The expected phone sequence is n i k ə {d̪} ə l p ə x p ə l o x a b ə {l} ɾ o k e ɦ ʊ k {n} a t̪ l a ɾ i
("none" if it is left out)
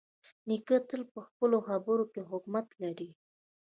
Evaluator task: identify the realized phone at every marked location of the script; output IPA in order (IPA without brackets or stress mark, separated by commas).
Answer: t̪, none, m